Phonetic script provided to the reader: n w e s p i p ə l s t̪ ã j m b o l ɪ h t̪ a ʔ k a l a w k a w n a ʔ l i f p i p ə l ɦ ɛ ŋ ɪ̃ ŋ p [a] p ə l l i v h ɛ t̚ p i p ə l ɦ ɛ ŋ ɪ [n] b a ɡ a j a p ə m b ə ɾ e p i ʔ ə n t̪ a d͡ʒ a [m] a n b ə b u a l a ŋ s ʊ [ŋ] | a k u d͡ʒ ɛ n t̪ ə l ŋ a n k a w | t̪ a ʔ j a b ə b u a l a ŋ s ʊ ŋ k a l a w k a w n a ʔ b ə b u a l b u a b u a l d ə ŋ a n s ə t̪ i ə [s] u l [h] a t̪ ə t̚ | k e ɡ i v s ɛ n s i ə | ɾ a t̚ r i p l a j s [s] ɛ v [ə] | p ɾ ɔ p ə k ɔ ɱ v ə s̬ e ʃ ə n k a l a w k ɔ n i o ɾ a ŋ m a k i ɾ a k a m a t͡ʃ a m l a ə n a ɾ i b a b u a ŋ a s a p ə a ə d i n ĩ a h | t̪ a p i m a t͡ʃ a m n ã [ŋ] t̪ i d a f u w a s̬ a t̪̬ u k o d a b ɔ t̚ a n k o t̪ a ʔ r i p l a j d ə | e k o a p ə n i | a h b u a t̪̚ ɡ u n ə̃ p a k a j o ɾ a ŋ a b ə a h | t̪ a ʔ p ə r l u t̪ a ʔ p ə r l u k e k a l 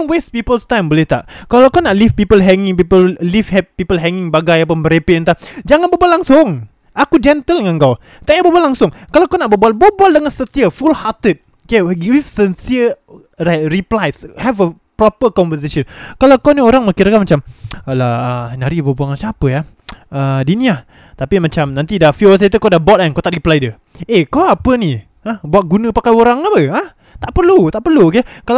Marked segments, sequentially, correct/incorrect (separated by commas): incorrect, incorrect, incorrect, correct, incorrect, correct, incorrect, correct, incorrect